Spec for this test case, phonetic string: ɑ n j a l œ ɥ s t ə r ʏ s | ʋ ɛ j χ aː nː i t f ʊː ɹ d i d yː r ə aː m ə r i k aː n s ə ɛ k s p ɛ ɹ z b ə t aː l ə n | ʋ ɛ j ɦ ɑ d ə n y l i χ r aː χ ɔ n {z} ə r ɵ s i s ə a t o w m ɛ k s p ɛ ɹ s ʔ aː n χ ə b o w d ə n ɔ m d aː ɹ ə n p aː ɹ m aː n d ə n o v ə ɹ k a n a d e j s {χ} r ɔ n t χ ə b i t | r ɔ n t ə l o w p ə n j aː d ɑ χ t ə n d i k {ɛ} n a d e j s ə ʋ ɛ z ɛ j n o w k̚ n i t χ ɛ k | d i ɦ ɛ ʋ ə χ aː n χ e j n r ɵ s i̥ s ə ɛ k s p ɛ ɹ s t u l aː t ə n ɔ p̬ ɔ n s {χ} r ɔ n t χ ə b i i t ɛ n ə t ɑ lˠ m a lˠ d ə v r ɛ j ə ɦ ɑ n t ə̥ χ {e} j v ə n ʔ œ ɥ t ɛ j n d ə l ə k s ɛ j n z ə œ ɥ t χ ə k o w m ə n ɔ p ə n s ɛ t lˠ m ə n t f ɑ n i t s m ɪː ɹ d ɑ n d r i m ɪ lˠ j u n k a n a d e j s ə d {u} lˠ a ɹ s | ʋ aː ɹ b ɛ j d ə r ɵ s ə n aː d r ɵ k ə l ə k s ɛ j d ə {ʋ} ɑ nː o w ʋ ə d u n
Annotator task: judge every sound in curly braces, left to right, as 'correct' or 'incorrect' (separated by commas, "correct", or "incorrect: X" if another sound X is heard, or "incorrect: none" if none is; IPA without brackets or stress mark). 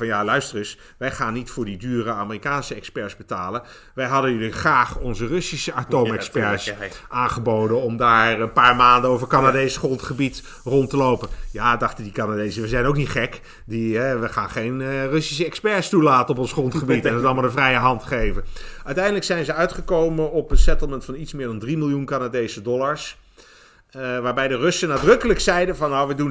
correct, correct, incorrect: a, correct, correct, incorrect: ɔ, incorrect: v